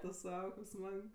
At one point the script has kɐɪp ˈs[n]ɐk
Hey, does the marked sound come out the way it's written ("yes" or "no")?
no